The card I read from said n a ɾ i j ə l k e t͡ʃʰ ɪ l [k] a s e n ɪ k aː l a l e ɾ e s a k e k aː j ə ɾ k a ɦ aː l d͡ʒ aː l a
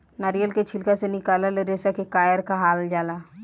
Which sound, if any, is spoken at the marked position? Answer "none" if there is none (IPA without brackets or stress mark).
k